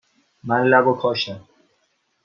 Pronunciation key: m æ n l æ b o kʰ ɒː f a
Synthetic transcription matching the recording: m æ n l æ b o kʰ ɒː ʃ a